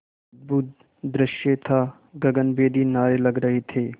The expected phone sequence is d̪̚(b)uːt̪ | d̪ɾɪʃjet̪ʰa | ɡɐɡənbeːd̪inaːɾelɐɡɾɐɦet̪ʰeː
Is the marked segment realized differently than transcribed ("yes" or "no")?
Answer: no